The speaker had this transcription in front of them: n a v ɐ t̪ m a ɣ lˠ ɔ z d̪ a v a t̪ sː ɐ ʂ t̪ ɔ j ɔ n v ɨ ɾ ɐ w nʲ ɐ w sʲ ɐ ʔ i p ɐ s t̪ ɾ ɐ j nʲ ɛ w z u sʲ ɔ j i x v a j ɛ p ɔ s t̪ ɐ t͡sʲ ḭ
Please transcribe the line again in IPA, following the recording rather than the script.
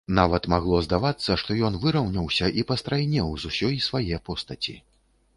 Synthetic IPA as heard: n a v ɐ t̪ m a ɣ lˠ ɔ z d̪ a v a t̪ sː ɐ ʂ t̪ ɔ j ɔ n v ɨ ɾ ɐ w nʲ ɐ w sʲ ɐ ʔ i p ɐ s t̪ ɾ a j nʲ ɛ w z u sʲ ɔ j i s v a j ɛ p ɔ s t̪ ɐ t͡sʲ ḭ